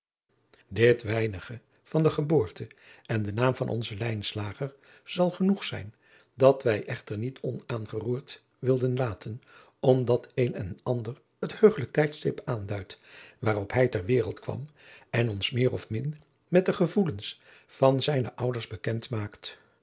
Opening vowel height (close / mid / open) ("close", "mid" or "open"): close